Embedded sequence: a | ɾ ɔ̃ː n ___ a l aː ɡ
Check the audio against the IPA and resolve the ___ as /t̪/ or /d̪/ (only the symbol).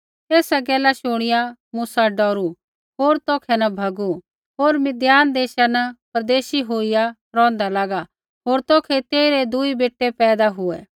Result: d̪